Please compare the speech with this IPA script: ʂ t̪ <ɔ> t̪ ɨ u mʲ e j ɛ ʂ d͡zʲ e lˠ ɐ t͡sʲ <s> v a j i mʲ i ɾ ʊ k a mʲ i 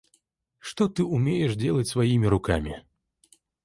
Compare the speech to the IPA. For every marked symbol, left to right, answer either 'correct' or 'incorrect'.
correct, correct

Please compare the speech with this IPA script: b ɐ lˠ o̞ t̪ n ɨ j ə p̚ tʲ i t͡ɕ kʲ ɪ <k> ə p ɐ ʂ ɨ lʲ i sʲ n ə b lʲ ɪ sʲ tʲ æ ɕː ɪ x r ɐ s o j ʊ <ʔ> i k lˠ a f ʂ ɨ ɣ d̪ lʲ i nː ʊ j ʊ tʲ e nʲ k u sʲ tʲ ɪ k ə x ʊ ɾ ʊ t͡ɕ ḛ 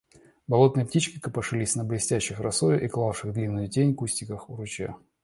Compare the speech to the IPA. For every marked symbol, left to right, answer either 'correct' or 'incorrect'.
correct, correct

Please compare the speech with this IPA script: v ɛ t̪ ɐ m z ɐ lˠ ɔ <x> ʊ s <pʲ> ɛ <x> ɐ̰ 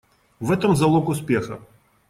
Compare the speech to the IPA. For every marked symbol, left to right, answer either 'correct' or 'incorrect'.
incorrect: k, correct, correct

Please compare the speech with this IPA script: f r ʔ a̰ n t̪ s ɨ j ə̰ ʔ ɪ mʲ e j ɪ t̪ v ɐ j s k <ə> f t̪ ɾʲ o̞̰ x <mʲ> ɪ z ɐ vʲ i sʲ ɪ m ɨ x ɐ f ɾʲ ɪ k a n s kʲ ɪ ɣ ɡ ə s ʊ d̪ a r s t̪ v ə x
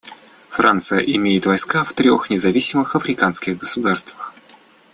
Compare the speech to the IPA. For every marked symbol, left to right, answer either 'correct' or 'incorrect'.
incorrect: a, incorrect: nʲ

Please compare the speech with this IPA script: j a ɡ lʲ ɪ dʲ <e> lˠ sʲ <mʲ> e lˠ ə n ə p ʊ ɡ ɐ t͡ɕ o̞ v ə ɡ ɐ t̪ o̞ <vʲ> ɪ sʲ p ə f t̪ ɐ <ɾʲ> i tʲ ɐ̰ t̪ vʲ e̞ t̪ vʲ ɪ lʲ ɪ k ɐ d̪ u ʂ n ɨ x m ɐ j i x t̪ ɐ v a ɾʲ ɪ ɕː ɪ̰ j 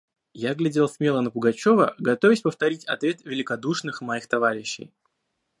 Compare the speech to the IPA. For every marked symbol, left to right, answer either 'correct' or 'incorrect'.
correct, correct, correct, correct

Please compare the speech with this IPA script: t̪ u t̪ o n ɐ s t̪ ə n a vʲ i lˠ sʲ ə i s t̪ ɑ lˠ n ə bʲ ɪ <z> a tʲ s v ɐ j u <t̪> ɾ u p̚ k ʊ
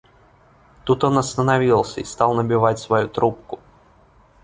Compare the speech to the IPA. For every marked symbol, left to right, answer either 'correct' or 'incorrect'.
incorrect: v, correct

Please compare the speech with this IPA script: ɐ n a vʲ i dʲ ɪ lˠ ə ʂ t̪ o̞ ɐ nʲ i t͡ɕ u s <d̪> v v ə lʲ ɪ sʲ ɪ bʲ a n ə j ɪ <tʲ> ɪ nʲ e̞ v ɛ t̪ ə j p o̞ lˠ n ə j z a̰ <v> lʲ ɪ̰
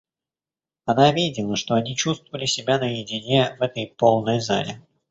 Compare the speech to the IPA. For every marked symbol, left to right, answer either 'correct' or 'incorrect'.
incorrect: t̪, incorrect: dʲ, incorrect: none

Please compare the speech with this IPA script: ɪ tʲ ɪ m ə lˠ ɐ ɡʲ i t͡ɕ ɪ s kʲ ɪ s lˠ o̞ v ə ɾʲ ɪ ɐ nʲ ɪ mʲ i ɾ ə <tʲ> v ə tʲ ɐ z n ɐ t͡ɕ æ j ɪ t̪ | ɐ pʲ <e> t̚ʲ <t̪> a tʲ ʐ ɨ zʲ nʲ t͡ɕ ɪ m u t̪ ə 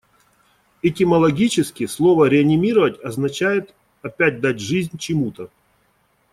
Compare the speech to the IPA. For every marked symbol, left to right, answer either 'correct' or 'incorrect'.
incorrect: none, incorrect: æ, incorrect: d̪

